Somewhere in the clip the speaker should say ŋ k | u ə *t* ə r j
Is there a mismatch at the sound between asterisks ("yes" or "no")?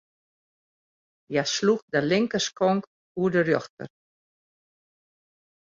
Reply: yes